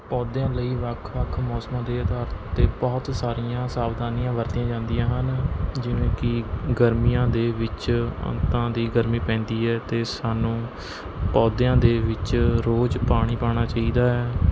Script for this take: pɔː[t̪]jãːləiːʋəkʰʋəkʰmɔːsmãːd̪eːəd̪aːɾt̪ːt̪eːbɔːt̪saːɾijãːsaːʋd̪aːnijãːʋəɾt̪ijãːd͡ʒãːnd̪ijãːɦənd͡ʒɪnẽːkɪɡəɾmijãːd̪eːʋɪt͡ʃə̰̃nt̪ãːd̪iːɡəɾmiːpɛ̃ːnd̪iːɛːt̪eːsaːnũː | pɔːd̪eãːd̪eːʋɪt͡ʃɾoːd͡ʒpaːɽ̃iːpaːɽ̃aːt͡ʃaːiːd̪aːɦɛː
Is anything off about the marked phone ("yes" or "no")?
yes